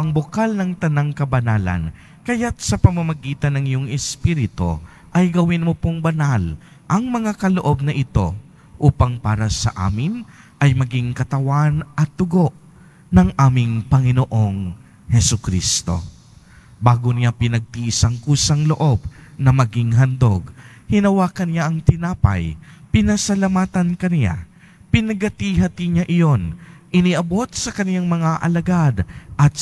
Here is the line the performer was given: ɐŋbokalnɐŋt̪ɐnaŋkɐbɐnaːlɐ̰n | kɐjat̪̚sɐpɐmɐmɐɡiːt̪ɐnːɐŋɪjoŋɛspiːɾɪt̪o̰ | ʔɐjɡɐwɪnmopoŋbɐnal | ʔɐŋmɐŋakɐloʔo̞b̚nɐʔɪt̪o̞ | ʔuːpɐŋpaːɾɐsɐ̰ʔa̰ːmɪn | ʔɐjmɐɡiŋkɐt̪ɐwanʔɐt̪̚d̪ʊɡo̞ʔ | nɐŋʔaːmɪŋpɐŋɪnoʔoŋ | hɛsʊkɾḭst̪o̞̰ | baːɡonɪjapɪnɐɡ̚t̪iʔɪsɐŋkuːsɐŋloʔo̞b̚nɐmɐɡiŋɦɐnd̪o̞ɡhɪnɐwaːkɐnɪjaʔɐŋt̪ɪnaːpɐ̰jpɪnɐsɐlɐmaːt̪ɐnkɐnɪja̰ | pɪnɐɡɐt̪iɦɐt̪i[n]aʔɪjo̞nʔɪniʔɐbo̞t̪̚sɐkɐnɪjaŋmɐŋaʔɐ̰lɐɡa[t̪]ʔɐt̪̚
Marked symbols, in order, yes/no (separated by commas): no, no